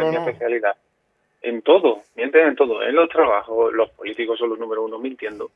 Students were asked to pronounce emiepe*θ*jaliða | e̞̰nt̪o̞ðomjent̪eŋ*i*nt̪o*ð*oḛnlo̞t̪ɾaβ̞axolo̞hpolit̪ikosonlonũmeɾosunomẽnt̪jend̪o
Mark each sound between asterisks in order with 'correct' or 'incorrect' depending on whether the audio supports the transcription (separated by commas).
correct, incorrect, correct